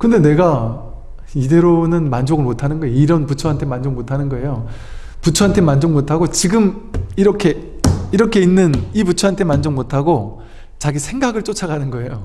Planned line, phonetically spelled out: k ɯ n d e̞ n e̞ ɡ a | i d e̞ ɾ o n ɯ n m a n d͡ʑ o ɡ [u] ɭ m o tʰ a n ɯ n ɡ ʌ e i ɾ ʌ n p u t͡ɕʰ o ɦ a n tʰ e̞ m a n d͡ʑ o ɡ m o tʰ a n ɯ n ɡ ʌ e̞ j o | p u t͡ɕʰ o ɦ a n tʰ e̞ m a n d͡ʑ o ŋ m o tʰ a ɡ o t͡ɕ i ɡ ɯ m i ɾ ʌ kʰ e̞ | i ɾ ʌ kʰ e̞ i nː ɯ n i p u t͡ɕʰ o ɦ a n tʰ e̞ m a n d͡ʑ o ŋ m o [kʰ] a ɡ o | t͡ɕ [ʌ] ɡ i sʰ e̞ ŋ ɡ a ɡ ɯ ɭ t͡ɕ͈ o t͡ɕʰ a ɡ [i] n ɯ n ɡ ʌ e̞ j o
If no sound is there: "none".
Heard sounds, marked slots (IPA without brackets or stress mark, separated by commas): ɯ, tʰ, a, a